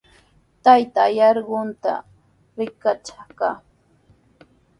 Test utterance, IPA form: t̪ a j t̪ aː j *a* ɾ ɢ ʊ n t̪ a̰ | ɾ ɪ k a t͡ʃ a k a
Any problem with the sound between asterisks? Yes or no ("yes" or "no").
yes